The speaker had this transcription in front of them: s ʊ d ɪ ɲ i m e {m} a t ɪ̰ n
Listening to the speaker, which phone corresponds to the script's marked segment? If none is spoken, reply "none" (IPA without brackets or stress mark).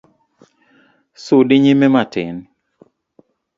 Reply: m